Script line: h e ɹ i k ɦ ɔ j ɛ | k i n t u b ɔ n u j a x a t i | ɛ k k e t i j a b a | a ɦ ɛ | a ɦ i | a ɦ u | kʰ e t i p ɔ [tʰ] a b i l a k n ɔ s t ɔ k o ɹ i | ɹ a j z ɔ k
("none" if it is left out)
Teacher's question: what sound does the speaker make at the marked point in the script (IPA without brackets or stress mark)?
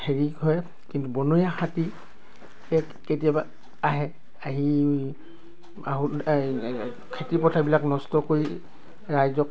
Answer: tʰ